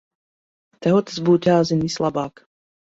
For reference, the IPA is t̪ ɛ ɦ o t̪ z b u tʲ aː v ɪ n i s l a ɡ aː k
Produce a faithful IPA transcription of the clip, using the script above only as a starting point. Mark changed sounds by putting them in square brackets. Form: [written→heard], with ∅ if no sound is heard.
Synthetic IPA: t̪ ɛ ɦ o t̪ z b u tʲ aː [v→z] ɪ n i s l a [ɡ→b] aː k